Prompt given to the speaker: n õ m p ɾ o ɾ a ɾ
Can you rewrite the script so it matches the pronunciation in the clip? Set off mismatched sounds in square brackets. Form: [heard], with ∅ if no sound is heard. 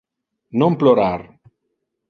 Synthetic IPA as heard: n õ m p [l] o ɾ a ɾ